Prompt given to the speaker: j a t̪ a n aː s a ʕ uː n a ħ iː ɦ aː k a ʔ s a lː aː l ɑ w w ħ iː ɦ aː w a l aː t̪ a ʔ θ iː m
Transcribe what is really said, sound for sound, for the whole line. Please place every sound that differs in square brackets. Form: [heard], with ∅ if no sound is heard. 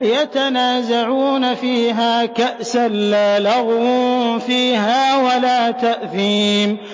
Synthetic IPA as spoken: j a t̪ a n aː [z] a ʕ uː n a [f] iː ɦ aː k a ʔ s a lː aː l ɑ [ɣ] w [f] iː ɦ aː w a l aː t̪ a ʔ θ iː m